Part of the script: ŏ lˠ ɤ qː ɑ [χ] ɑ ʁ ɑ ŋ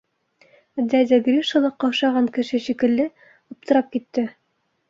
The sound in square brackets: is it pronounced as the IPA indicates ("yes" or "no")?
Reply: no